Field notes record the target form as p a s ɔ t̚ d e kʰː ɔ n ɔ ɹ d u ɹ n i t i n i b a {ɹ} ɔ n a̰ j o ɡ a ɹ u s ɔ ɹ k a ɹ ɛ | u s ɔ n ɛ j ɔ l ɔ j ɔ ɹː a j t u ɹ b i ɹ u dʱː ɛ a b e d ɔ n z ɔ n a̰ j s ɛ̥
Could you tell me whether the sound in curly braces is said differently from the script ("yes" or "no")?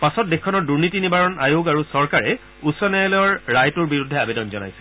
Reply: no